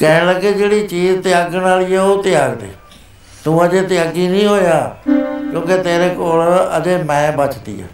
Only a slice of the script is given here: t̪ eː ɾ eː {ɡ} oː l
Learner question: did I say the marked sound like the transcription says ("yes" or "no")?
no